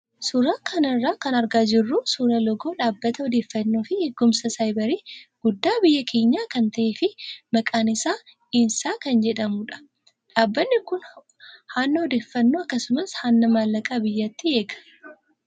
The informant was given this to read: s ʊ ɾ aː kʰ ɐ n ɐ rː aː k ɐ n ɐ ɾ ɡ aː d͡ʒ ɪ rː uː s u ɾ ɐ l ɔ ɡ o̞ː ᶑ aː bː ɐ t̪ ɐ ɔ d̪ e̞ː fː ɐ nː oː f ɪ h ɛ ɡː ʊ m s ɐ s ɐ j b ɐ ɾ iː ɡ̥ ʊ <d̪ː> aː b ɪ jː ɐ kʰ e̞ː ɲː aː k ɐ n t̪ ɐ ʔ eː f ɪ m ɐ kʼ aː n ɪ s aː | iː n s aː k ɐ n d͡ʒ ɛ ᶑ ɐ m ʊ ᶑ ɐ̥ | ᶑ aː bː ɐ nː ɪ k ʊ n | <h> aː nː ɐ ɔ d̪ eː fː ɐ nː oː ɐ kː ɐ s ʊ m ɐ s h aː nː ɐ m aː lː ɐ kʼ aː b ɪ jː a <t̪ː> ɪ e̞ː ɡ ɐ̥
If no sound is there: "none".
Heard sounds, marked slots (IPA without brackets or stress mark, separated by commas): d̪ː, h, t̪ː